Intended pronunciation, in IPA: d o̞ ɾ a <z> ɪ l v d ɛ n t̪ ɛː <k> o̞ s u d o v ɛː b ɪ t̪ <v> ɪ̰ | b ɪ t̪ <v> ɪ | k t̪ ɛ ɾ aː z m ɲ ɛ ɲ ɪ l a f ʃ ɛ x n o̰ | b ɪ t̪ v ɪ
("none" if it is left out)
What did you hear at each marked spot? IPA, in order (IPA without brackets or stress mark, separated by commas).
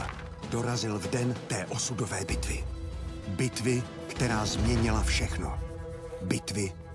z, ʔ, v, v